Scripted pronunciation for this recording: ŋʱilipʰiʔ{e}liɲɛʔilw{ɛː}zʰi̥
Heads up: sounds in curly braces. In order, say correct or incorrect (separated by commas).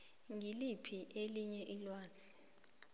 correct, incorrect